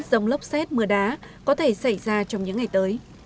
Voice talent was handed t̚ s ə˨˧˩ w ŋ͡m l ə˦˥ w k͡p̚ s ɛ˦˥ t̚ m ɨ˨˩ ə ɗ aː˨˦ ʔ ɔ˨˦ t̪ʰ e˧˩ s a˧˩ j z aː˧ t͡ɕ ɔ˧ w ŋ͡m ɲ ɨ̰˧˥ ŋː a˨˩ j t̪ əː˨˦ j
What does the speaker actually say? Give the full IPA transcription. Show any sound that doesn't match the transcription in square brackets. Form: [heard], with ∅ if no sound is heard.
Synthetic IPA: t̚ [z] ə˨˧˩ w ŋ͡m l ə˦˥ w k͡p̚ s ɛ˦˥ t̚ m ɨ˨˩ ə ɗ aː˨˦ [k] ɔ˨˦ t̪ʰ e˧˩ s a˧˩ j z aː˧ t͡ɕ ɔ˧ w ŋ͡m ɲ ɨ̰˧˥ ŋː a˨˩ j t̪ əː˨˦ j